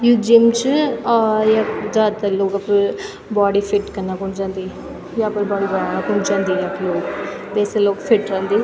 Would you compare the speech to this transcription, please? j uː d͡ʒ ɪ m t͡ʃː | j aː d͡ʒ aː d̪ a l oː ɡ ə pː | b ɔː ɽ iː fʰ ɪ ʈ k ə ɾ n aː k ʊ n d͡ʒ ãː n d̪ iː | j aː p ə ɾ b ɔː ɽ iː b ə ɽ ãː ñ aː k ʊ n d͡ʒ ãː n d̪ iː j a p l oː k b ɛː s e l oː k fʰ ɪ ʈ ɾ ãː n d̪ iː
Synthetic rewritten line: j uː d͡ʒ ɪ m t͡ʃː | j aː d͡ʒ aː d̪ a l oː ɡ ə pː | b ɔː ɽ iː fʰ ɪ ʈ k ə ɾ n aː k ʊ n d͡ʒ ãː n d̪ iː | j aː p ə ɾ b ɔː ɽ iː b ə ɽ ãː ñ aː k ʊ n d͡ʒ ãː n d̪ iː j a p l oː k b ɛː s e l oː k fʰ ɪ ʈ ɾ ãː n d̪ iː

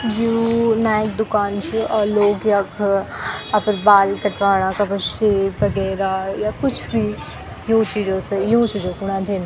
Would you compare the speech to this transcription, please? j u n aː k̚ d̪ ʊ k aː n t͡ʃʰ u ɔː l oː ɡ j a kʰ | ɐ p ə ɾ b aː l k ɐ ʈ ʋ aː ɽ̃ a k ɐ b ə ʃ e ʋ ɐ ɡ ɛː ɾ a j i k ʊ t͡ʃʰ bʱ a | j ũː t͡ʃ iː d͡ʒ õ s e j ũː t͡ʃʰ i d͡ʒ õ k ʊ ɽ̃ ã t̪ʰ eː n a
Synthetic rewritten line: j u n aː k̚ d̪ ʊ k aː n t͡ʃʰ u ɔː l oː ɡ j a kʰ | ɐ p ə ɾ b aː l k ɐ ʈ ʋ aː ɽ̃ a k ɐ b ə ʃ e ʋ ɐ ɡ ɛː ɾ a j a k ʊ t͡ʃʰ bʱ i | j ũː t͡ʃ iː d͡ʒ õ s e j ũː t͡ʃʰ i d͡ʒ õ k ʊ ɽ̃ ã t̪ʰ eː n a

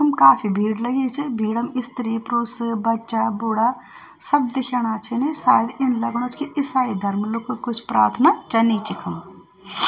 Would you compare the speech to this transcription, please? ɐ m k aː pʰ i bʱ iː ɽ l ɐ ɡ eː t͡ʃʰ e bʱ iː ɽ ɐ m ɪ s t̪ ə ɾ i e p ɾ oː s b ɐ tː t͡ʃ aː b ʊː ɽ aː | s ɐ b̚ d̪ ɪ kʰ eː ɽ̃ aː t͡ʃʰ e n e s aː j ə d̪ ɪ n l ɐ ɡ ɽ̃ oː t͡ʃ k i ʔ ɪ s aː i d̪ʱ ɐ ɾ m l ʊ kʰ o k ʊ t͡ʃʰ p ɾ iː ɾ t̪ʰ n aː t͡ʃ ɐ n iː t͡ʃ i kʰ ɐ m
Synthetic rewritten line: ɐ m k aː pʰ i bʱ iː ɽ l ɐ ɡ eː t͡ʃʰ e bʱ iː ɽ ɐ m ɪ s t̪ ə ɾ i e p ɾ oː s b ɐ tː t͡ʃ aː b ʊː ɽ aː | s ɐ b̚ d̪ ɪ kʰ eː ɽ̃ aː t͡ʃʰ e n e s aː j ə d̪ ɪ n l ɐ ɡ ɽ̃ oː t͡ʃ k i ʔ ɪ s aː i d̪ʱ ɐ ɾ m l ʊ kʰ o k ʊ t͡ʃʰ p ɾ aː ɾ t̪ʰ n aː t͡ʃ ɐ n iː t͡ʃ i kʰ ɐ m

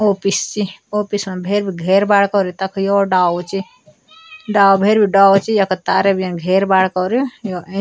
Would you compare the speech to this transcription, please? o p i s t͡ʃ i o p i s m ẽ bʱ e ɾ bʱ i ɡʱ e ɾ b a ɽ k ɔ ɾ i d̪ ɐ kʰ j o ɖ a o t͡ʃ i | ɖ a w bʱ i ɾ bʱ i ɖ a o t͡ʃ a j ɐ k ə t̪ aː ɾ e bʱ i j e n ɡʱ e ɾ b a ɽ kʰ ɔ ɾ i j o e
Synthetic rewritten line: o p i s t͡ʃ i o p i s m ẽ bʱ e ɾ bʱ i ɡʱ e ɾ b a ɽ k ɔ ɾ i t̪ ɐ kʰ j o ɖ a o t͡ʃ i | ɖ a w bʱ e ɾ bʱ i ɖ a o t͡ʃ i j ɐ k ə t̪ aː ɾ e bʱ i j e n ɡʱ e ɾ b a ɽ k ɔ ɾ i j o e

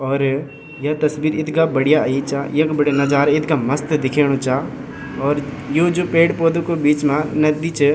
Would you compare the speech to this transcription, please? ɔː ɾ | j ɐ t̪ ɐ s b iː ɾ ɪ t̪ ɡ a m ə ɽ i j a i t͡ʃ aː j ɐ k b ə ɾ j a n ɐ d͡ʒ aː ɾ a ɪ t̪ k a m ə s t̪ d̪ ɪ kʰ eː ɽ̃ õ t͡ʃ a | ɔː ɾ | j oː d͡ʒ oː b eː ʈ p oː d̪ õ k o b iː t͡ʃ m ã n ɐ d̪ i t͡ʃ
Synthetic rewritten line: ɔː ɾ | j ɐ t̪ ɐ s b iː ɾ ɪ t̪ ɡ a b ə ɽ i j a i t͡ʃ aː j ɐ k b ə ɽ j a n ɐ d͡ʒ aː ɾ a ɪ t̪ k a m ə s t̪ d̪ ɪ kʰ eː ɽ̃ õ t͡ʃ a | ɔː ɾ | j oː d͡ʒ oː p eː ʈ p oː d̪ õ k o b iː t͡ʃ m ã n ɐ d̪ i t͡ʃ

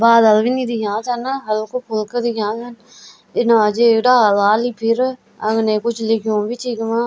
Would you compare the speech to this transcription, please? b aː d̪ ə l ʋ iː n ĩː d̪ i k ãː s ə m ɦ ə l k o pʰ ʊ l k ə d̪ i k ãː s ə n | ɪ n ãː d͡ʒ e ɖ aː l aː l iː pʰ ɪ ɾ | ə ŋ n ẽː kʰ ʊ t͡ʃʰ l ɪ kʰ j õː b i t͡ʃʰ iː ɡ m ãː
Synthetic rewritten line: b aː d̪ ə l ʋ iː n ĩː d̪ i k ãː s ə n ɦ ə l k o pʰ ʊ l k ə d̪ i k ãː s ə n | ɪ n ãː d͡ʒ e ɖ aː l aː l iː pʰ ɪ ɾ | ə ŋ n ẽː k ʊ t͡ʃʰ l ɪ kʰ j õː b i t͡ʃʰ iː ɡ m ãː

